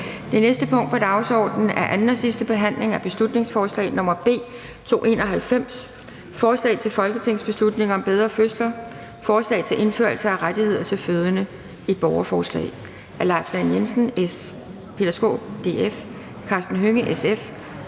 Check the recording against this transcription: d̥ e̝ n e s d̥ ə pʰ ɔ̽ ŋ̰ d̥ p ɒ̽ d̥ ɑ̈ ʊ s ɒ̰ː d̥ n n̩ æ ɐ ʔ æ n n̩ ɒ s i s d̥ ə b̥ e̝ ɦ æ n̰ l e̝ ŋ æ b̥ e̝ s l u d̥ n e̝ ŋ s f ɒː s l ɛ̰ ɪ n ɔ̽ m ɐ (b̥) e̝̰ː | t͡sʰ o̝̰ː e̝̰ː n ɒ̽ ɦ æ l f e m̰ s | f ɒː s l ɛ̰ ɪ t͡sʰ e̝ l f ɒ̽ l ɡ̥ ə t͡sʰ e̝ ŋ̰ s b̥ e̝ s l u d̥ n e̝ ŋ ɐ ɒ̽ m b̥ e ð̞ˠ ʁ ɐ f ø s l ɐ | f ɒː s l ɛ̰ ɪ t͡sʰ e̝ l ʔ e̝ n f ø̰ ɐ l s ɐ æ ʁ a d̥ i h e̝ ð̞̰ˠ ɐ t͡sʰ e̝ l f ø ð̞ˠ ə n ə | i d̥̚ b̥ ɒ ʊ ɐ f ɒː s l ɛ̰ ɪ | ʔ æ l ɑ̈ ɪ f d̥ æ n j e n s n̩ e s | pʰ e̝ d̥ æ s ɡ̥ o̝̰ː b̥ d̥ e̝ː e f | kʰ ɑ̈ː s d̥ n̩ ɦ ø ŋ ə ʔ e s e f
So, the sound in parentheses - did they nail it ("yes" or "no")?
yes